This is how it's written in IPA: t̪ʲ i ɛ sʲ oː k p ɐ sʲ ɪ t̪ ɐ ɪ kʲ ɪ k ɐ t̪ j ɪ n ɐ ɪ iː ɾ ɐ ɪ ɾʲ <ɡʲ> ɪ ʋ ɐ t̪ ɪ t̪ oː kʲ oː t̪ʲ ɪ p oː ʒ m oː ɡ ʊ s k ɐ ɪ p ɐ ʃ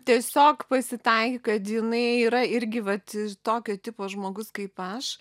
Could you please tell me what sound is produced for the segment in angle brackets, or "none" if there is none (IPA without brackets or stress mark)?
ɡʲ